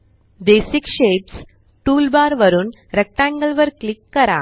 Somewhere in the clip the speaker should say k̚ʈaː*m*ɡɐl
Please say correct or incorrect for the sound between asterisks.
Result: incorrect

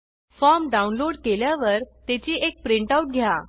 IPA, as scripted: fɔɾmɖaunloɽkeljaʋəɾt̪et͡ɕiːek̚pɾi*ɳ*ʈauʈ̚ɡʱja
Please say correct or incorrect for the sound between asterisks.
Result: correct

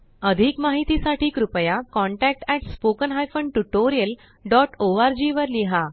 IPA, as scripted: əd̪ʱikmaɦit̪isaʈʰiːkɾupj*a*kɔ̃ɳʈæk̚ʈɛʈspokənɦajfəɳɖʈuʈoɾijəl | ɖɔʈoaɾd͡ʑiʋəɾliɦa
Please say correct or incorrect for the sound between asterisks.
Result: correct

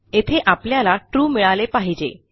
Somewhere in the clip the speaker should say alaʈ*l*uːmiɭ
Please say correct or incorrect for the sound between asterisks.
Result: incorrect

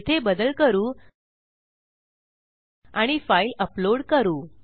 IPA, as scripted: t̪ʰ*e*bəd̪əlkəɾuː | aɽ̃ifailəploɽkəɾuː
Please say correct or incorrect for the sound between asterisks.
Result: correct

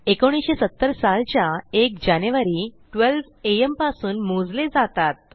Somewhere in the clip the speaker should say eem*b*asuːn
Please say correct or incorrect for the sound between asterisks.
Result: incorrect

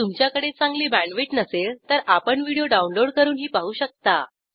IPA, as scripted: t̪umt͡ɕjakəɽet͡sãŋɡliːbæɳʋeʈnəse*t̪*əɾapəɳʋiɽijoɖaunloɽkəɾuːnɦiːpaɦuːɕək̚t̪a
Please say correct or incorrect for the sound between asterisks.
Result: correct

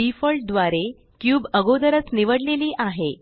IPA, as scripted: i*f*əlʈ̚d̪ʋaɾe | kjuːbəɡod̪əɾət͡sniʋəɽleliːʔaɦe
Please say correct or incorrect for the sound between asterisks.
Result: correct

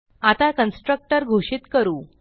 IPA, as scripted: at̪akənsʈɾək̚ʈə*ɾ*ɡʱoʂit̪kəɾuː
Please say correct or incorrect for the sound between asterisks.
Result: correct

